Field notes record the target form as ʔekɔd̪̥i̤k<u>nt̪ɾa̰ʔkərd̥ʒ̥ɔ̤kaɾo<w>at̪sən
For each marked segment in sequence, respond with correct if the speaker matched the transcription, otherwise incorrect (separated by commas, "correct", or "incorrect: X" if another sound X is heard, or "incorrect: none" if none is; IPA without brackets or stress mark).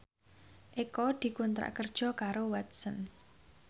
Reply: correct, correct